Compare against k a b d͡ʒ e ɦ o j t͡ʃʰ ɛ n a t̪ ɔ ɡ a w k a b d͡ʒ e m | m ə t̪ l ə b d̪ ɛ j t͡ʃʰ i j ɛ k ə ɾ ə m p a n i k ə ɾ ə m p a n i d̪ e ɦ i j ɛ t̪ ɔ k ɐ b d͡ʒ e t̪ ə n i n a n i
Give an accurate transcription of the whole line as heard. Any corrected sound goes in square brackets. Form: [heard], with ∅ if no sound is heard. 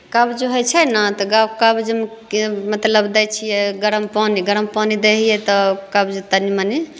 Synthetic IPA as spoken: k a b d͡ʒ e ɦ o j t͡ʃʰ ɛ n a t̪ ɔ ɡ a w k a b d͡ʒ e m | m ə t̪ l ə b d̪ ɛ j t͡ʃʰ i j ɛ [ɡ] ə ɾ ə m p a n i [ɡ] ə ɾ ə m p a n i d̪ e ɦ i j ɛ t̪ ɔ k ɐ b d͡ʒ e t̪ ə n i [m] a n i